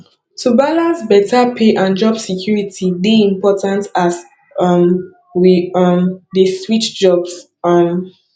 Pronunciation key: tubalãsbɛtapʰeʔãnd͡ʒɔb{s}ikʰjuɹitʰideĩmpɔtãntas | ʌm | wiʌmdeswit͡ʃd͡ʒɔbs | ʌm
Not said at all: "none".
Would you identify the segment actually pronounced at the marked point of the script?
s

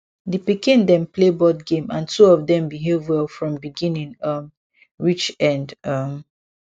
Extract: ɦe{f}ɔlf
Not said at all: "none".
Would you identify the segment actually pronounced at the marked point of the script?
v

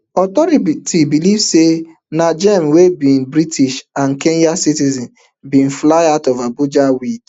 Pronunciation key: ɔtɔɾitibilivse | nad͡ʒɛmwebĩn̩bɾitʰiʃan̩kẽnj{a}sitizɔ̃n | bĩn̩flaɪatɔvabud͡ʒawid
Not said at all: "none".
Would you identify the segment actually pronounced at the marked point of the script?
a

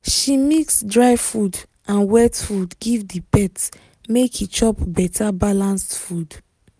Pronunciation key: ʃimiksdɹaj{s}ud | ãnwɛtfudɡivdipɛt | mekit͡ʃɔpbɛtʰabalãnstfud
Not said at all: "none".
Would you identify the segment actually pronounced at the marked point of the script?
f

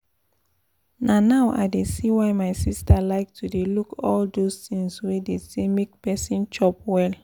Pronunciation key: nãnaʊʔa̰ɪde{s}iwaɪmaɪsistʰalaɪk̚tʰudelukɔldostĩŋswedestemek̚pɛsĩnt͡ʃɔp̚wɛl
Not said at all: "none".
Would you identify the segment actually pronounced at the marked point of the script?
s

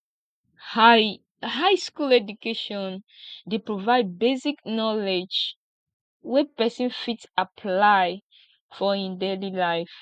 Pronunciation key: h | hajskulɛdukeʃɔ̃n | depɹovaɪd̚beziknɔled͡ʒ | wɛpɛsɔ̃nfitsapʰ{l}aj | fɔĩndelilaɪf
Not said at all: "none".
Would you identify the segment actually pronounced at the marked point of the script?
l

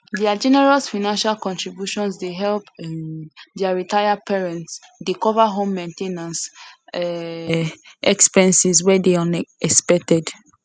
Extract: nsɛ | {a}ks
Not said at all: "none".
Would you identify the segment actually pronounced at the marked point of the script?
ɛ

